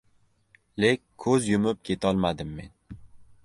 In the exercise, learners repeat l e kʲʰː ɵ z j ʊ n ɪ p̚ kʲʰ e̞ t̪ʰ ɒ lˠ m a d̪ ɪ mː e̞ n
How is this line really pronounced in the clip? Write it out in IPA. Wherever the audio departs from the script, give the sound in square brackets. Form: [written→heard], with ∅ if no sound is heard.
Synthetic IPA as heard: l e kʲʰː ɵ z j ʊ [n→m] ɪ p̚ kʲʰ e̞ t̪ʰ ɒ lˠ m a d̪ ɪ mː e̞ n